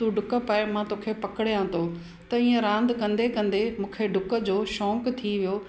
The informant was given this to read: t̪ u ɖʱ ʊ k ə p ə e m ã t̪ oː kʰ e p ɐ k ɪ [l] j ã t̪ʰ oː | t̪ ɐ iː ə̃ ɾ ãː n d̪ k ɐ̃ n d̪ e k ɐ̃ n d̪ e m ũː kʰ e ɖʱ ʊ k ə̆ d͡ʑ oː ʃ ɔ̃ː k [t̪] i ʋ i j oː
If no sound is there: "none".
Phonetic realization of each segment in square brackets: ɽ, t̪ʰ

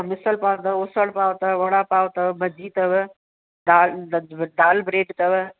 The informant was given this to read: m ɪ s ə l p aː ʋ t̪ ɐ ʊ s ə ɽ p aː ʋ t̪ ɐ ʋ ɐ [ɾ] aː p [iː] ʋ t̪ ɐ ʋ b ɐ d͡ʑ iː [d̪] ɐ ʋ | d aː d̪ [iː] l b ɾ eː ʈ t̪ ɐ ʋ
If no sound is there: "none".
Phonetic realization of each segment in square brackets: ɽ, aː, t̪, aː

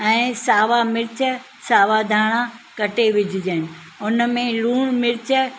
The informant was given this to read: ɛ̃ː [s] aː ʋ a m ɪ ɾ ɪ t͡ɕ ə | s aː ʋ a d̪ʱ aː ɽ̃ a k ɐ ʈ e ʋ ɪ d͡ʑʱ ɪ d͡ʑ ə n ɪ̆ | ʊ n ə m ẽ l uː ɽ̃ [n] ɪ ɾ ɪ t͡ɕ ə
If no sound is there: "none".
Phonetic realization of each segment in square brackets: s, m

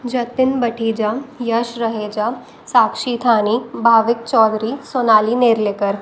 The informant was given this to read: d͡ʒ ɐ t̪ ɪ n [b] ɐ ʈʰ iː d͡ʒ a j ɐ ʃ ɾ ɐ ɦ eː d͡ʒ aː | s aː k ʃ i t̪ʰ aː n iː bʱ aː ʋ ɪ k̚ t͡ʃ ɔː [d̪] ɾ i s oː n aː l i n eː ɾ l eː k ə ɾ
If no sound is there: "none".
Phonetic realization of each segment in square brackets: b, d̪

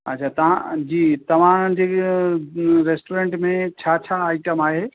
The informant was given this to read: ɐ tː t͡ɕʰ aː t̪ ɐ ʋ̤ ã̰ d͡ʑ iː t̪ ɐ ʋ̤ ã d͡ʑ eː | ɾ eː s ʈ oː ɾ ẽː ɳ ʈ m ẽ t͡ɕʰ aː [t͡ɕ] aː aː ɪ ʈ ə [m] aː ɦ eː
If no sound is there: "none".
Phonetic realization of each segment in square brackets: t͡ɕʰ, m

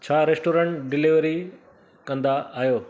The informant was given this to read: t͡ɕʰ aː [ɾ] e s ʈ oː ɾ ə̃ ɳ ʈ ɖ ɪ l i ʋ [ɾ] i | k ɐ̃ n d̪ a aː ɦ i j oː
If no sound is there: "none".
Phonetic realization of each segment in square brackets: ɾ, ɾ

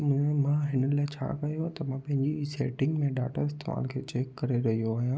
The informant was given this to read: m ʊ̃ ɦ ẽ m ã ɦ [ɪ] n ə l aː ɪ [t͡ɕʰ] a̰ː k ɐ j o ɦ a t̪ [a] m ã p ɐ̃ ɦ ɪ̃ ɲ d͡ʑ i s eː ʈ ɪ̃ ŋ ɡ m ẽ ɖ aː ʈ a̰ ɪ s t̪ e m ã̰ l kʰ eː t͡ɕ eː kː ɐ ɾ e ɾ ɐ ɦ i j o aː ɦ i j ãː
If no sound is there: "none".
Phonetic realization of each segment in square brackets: ɪ, t͡ɕʰ, ɐ

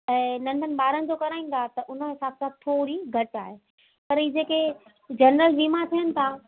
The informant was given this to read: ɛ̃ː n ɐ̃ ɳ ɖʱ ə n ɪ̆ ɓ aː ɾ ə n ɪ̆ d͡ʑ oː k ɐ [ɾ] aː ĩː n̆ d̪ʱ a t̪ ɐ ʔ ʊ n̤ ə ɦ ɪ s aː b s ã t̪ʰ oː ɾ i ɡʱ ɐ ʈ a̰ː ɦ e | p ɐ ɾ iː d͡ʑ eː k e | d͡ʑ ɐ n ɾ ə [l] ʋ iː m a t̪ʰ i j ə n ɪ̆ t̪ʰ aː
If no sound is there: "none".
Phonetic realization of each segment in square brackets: ɾ, l

